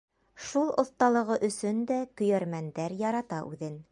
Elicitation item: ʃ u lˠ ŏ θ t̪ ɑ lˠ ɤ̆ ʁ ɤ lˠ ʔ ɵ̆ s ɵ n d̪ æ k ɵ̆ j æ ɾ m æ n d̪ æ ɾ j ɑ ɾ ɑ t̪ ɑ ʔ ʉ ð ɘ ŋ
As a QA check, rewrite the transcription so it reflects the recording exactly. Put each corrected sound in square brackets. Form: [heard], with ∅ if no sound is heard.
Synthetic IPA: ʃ u lˠ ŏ θ t̪ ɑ lˠ ɤ̆ ʁ ɤ [∅] ʔ ɵ̆ s ɵ n d̪ æ k ɵ̆ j æ ɾ m æ n d̪ æ ɾ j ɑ ɾ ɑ t̪ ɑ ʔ ʉ ð ɘ [n]